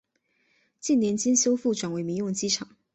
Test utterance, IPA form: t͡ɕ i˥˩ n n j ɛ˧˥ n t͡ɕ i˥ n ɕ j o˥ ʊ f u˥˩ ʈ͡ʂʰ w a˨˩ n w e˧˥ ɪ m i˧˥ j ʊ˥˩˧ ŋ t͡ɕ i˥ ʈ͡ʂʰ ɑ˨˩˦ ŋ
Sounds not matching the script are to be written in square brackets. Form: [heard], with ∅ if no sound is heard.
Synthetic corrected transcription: t͡ɕ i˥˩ n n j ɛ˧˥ n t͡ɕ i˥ n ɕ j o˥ ʊ f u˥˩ [ʈ͡ʂ] w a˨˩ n w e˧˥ ɪ m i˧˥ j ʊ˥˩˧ ŋ t͡ɕ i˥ ʈ͡ʂʰ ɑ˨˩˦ ŋ

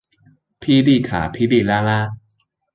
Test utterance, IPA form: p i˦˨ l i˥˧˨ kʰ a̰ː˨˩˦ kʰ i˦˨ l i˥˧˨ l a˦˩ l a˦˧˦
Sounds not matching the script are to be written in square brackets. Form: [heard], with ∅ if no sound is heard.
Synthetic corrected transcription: [pʰ] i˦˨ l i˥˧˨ kʰ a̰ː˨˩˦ [pʰ] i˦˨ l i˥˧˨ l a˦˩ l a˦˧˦

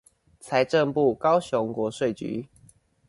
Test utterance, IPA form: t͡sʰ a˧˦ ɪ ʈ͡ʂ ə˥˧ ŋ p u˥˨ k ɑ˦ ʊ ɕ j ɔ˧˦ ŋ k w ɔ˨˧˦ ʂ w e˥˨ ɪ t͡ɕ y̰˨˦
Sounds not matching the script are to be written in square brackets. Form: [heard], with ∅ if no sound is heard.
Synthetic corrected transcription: t͡sʰ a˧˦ ɪ ʈ͡ʂ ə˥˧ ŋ p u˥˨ k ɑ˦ ʊ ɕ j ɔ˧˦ ŋ k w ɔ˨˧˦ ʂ w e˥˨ ɪ t͡ɕ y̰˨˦

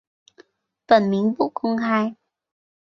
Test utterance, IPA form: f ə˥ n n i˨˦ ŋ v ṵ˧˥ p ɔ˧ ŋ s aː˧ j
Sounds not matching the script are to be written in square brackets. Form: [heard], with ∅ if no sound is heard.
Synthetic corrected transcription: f [ə˧˩] n [m] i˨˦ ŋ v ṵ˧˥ [k] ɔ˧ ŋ [x] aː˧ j

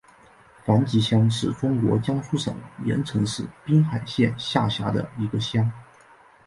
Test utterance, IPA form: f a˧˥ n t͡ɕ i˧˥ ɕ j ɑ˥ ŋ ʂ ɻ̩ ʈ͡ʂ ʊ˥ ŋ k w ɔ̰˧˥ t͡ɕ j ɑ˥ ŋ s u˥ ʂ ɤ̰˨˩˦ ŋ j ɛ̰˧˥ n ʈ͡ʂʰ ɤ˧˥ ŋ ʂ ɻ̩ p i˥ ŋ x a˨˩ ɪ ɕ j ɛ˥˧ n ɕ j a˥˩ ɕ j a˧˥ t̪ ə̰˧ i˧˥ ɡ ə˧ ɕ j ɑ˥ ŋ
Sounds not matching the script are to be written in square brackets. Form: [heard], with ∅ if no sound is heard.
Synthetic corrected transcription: f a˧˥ n t͡ɕ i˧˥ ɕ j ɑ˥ ŋ ʂ ɻ̩ ʈ͡ʂ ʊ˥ ŋ k w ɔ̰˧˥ t͡ɕ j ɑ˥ ŋ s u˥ ʂ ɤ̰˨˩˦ ŋ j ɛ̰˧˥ n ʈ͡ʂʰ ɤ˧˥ ŋ ʂ ɻ̩ p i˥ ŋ x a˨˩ ɪ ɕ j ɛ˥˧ n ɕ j a˥˩ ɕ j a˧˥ [d̪] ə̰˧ i˧˥ ɡ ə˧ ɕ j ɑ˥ ŋ

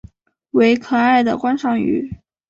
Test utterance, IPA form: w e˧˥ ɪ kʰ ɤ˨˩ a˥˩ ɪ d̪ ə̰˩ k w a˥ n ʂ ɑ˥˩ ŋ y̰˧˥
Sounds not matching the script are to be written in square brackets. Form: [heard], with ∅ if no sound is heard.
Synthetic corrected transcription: w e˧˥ ɪ kʰ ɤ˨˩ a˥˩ ɪ d̪ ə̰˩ k w a˥ n ʂ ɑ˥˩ ŋ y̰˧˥

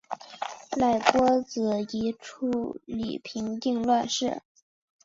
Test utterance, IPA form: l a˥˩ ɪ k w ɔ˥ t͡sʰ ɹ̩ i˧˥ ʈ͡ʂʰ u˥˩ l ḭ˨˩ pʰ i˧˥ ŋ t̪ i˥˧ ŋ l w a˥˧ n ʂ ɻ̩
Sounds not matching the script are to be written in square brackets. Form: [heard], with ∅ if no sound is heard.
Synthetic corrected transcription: l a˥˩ ɪ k w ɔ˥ [t͡s] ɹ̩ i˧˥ ʈ͡ʂʰ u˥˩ l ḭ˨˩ pʰ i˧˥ ŋ t̪ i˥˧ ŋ l w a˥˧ n ʂ ɻ̩

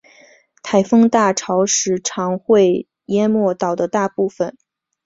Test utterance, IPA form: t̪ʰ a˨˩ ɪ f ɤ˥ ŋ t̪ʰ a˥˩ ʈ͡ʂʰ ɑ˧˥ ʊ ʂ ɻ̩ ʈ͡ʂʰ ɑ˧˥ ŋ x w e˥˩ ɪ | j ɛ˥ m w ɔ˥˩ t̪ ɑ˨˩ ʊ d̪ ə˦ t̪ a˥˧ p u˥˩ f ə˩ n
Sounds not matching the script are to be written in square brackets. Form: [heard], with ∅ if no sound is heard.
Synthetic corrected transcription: t̪ʰ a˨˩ ɪ f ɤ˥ ŋ [t̪] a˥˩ ʈ͡ʂʰ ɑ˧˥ ʊ ʂ ɻ̩ ʈ͡ʂʰ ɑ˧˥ ŋ x w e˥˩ ɪ | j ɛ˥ m w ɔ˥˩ t̪ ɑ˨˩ ʊ d̪ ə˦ t̪ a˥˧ p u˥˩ f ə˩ n

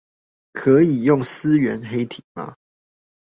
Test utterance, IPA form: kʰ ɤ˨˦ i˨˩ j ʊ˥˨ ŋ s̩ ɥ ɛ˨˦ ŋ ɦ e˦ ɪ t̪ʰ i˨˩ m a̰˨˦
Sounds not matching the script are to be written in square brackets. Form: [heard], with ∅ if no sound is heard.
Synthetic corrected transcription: kʰ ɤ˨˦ i˨˩ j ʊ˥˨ ŋ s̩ ɥ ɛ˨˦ [n] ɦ e˦ ɪ t̪ʰ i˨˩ m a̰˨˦

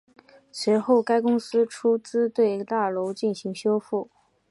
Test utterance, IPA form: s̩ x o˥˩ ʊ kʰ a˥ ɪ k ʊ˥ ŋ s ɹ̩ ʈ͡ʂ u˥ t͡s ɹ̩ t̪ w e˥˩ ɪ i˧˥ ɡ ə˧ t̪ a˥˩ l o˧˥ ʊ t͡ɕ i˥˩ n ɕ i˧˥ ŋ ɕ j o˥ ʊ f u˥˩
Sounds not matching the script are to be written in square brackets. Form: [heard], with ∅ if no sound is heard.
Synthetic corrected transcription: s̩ x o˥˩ ʊ [k] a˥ ɪ k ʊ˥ ŋ s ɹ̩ [ʈ͡ʂʰ] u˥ t͡s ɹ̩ t̪ w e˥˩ ɪ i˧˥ ɡ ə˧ t̪ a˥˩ l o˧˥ ʊ t͡ɕ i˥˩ n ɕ i˧˥ ŋ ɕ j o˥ ʊ f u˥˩

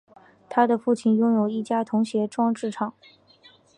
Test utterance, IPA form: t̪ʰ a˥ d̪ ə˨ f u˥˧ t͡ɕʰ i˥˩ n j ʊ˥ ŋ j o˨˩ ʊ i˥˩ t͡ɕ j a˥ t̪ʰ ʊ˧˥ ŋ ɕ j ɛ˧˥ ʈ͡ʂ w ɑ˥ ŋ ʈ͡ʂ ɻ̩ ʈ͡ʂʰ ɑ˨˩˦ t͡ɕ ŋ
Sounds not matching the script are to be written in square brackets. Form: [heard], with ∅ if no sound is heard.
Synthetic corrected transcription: t̪ʰ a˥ d̪ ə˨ f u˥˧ t͡ɕʰ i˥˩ n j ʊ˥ ŋ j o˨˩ ʊ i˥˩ t͡ɕ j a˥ t̪ʰ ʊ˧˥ ŋ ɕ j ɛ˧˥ ʈ͡ʂ w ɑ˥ ŋ ʈ͡ʂ ɻ̩ ʈ͡ʂʰ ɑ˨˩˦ [∅] ŋ

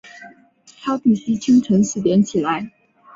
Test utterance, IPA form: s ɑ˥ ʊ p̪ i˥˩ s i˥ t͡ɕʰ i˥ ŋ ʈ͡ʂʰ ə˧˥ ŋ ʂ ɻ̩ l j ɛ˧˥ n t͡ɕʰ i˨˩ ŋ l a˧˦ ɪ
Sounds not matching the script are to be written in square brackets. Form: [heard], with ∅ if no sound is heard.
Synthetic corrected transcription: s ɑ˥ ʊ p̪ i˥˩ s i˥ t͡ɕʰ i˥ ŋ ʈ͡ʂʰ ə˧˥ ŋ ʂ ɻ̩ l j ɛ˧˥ n t͡ɕʰ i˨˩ [∅] l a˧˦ ɪ

